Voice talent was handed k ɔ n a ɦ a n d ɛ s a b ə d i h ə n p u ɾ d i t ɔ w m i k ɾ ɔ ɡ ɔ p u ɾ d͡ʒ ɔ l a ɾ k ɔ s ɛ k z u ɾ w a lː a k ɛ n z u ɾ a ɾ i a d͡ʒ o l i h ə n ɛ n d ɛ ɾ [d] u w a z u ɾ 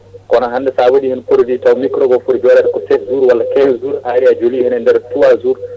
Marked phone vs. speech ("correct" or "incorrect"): incorrect